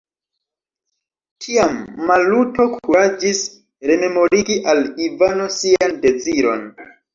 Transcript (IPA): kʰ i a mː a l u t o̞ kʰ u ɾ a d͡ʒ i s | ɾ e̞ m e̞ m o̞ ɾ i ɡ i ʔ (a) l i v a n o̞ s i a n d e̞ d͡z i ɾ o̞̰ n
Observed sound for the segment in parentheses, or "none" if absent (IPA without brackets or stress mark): a